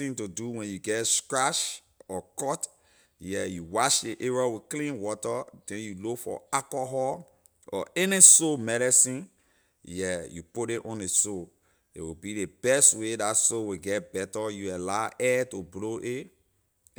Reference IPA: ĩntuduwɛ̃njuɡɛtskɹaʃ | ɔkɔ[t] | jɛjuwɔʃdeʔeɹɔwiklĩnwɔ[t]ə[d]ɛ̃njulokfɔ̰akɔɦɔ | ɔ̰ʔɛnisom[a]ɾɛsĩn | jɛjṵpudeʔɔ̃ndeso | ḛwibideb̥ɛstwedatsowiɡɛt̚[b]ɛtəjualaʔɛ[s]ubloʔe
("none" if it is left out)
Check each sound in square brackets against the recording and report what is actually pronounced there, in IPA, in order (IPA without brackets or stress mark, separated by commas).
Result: t, t, d, ɛ, b, t